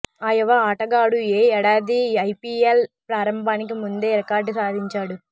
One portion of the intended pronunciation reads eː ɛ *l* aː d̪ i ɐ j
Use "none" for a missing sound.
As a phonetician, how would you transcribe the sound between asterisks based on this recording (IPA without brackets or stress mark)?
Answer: ɽ